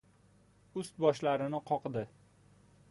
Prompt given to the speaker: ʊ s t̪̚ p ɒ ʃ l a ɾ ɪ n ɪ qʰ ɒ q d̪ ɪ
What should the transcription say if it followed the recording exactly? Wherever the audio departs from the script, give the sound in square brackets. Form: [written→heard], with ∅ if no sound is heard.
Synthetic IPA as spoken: ʊ s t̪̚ [p→b] ɒ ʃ l a ɾ ɪ n ɪ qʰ ɒ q d̪ ɪ